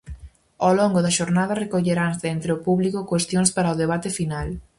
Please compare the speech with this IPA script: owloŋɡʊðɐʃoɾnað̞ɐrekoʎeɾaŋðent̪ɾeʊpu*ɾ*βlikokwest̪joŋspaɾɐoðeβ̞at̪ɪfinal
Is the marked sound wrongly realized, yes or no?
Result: yes